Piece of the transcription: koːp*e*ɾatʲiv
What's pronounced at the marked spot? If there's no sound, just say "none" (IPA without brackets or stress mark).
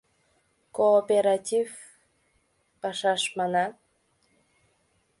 e